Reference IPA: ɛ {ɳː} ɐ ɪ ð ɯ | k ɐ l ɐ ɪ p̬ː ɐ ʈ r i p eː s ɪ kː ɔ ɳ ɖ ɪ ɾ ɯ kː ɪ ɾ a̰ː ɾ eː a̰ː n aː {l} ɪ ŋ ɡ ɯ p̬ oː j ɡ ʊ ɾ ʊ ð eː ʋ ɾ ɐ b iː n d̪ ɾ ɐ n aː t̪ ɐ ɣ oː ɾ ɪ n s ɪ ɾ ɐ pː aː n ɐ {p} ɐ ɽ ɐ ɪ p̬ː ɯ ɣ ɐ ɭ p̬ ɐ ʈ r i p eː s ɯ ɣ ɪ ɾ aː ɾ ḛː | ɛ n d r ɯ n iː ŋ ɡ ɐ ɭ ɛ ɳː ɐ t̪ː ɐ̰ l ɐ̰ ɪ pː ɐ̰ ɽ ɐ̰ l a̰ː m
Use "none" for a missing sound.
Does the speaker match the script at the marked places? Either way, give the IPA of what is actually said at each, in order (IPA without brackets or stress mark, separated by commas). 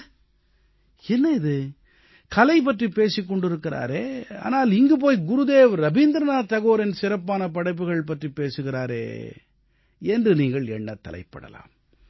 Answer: nː, l, p